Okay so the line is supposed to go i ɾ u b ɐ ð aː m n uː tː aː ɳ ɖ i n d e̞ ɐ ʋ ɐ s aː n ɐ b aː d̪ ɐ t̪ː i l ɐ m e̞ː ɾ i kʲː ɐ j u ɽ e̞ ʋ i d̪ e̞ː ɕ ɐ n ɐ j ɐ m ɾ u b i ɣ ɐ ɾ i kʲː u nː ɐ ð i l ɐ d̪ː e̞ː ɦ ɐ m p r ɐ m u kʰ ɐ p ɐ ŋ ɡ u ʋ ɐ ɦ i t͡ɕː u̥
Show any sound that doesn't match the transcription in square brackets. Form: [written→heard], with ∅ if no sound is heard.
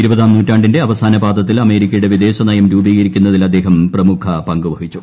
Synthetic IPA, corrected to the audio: i ɾ u b ɐ ð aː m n uː tː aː ɳ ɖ i n d e̞ ɐ ʋ ɐ s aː n ɐ b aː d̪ ɐ t̪ː i l ɐ m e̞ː ɾ i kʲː ɐ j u ɽ e̞ ʋ i d̪ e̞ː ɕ ɐ n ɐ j ɐ m ɾ [u→uː] b i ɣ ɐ ɾ i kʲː u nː ɐ ð i l ɐ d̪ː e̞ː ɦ ɐ m p r ɐ m u kʰ ɐ p ɐ ŋ ɡ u ʋ ɐ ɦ i t͡ɕː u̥

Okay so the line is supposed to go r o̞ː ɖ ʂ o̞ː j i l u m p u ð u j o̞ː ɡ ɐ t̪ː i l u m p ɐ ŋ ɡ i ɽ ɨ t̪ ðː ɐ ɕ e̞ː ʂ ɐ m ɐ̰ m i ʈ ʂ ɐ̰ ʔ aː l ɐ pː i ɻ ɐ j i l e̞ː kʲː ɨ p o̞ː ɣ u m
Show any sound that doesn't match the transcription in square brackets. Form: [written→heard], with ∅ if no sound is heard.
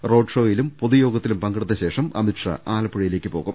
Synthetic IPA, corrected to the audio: r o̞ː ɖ ʂ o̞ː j i l u m p [u→o] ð u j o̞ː ɡ ɐ t̪ː i l u m p ɐ ŋ ɡ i ɽ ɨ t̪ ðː ɐ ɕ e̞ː ʂ ɐ m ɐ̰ m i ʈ ʂ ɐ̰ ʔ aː l ɐ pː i ɻ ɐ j i l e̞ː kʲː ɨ p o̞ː ɣ u m

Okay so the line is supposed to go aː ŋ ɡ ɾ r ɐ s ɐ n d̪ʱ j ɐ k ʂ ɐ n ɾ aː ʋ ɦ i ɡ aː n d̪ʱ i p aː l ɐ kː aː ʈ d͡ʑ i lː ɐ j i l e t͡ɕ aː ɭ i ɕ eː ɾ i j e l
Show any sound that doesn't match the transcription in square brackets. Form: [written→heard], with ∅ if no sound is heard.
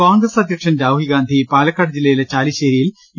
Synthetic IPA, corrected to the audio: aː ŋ ɡ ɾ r ɐ s ɐ [n→∅] d̪ʱ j ɐ k ʂ ɐ n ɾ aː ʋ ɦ i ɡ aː n d̪ʱ i p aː l ɐ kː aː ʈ d͡ʑ i lː ɐ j i l e t͡ɕ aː [ɭ→l] i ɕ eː ɾ i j [e→i] l

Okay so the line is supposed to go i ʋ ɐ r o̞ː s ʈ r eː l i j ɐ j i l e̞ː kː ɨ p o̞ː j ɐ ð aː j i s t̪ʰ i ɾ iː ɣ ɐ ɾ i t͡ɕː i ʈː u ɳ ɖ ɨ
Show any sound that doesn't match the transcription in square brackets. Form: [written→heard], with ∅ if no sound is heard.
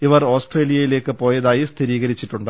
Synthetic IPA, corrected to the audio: i ʋ ɐ r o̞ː s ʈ r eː l i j ɐ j i l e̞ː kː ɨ p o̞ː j ɐ ð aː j i s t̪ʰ i ɾ iː ɣ ɐ ɾ i t͡ɕː i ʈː u ɳ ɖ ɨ

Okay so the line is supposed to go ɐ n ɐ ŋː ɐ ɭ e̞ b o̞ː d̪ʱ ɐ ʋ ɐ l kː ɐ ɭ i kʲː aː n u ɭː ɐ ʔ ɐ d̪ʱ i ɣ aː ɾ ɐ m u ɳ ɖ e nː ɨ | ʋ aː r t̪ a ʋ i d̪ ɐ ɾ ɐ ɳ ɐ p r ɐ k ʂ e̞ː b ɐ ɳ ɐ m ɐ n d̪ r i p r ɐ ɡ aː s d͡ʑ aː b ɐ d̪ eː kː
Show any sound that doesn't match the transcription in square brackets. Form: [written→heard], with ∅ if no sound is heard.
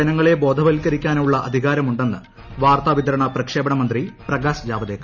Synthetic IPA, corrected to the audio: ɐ n ɐ ŋː ɐ ɭ e̞ b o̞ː d̪ʱ ɐ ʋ ɐ l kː ɐ [ɭ→ɾ] i kʲː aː n u ɭː ɐ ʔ ɐ d̪ʱ i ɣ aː ɾ ɐ m u ɳ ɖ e nː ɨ | ʋ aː r t̪ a ʋ i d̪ ɐ ɾ ɐ ɳ ɐ p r ɐ k ʂ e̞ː b ɐ ɳ ɐ m ɐ n d̪ r i p r ɐ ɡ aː s d͡ʑ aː b ɐ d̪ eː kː

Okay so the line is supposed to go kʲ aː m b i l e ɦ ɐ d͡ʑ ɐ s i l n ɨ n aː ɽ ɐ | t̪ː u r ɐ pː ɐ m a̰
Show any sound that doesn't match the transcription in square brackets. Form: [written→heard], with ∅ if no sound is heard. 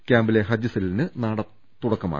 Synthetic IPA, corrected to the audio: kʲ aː m b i l e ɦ ɐ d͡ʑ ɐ s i l n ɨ n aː ɽ ɐ | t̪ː u [r→ɽ] ɐ [pː→kː] ɐ m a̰

